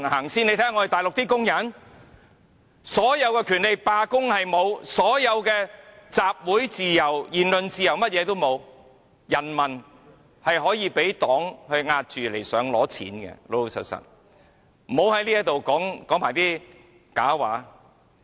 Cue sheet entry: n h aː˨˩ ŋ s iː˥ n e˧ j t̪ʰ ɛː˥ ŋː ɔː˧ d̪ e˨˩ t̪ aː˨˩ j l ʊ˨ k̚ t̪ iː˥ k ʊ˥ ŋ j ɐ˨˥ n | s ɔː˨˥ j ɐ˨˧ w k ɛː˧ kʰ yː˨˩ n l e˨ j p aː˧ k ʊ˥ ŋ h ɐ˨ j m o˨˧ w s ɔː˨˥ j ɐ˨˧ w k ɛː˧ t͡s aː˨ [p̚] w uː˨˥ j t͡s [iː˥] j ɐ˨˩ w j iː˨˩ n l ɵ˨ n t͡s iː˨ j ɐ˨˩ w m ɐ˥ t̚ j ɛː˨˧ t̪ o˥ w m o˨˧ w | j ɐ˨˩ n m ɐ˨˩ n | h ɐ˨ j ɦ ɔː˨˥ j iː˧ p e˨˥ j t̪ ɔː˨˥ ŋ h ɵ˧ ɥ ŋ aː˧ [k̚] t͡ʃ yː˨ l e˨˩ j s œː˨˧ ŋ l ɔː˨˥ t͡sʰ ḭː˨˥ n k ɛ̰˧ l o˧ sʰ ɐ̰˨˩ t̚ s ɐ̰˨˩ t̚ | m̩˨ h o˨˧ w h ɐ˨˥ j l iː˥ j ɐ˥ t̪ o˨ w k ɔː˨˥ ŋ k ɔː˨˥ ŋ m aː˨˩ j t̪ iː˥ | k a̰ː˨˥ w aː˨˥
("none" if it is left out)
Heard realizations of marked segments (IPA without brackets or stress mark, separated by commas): p̚, iː˨, t̚